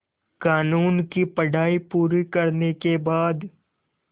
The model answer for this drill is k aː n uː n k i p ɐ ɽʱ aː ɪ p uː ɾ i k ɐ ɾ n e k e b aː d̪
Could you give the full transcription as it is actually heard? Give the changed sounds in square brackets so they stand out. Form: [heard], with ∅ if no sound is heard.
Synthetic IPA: k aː n uː n k i p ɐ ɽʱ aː [i] p uː ɾ i k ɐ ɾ n e k e b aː d̪